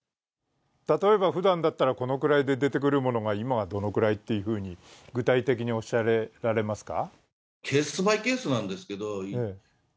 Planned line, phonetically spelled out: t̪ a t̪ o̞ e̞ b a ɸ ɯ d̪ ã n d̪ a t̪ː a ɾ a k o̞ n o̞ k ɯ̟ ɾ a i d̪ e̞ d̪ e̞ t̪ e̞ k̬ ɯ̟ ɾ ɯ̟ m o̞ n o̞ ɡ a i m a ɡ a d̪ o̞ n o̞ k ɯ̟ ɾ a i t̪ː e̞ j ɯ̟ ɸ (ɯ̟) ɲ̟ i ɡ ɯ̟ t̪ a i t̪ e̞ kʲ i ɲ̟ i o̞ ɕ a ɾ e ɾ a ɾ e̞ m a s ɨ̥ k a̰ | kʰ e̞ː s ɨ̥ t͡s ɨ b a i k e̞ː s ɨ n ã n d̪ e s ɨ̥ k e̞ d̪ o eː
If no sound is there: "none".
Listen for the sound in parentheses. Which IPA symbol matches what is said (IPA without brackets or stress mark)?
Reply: ɯ̟ː